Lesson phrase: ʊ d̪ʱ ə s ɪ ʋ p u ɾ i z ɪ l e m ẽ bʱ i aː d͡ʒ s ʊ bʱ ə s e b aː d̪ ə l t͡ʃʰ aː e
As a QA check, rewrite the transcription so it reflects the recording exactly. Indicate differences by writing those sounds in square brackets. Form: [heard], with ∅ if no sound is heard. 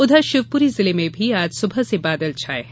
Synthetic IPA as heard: ʊ d̪ʱ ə [ʃ] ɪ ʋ p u ɾ i z ɪ l e m ẽ bʱ i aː d͡ʒ s ʊ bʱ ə s e b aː d̪ ə l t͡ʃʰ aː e